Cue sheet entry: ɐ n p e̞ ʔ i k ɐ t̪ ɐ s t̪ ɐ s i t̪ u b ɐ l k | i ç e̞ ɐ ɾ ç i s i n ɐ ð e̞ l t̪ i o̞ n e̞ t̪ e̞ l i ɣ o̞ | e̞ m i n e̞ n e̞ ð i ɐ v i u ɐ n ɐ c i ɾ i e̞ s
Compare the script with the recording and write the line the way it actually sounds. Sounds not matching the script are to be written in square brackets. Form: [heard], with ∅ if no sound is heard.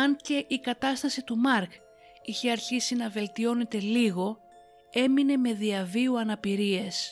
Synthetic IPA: ɐ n [c] e̞ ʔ i k ɐ t̪ ɐ s t̪ ɐ s i t̪ u [m] ɐ [ɾ] k | i ç e̞ ɐ ɾ ç i s i n ɐ [v] e̞ l t̪ i o̞ n e̞ t̪ e̞ l i ɣ o̞ | e̞ m i n e̞ [m] e̞ ð i ɐ v i u ɐ n ɐ [p] i ɾ i e̞ s